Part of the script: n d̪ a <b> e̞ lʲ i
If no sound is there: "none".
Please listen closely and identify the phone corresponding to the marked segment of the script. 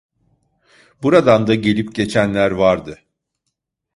ɟ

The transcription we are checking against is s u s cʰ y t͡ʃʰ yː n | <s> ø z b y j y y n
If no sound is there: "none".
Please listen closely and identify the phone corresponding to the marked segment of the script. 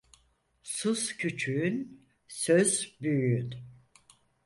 s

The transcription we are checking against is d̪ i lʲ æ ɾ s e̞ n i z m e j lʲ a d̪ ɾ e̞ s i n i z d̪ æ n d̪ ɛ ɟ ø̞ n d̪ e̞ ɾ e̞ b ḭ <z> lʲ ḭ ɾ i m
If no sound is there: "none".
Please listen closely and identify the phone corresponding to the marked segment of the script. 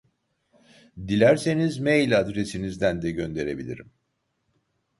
none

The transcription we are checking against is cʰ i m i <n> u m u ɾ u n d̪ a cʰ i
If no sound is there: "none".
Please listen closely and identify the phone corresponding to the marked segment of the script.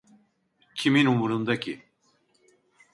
n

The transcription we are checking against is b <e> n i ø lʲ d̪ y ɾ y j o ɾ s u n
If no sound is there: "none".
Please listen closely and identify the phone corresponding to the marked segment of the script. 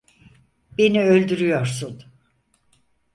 e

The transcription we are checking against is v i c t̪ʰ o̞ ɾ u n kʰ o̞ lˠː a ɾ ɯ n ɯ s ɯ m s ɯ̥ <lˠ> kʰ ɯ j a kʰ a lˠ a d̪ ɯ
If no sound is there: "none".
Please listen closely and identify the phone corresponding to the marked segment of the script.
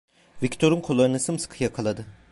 none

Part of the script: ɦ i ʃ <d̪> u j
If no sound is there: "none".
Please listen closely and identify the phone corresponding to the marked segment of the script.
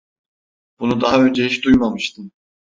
d̪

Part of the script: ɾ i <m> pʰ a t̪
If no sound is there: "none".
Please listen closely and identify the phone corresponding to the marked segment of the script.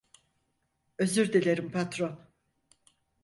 m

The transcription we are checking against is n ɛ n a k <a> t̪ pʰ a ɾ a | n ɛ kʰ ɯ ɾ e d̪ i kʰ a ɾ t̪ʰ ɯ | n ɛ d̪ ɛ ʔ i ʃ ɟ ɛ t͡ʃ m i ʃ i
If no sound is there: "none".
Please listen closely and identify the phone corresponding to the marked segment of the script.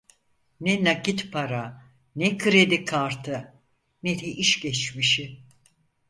i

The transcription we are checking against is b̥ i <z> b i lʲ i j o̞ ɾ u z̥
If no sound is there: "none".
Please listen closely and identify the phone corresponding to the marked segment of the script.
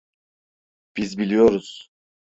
z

